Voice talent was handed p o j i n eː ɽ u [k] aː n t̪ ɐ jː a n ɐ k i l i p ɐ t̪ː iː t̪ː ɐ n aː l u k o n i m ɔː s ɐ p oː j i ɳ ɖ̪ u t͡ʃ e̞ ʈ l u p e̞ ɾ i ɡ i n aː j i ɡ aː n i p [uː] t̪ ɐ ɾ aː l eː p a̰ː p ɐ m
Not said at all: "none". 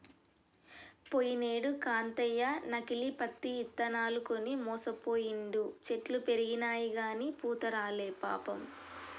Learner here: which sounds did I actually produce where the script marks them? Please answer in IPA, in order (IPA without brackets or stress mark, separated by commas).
k, uː